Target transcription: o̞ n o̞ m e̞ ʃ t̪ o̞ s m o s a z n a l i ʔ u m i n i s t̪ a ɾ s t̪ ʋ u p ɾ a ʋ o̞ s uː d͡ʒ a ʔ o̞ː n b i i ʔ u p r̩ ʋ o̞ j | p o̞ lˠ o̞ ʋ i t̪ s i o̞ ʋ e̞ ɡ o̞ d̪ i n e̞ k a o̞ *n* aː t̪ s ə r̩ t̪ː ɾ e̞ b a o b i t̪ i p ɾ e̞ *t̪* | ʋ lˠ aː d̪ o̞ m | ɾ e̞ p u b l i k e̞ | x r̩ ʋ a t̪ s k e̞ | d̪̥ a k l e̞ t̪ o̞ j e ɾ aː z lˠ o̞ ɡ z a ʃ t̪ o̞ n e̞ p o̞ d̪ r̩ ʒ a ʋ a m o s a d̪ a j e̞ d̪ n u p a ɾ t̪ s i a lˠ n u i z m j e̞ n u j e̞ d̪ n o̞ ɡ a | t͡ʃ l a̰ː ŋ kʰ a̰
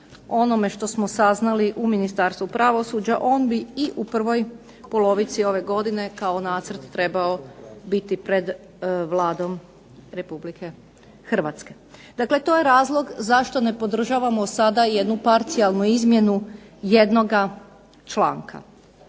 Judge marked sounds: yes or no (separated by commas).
yes, no